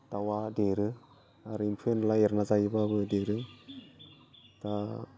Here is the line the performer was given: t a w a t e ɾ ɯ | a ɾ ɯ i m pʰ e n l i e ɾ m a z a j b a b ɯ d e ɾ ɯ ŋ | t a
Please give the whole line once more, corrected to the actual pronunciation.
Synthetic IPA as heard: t a w a d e ɾ ɯ | a ɾ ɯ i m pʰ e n l a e ɾ n a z a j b a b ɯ d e ɾ ɯ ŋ | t a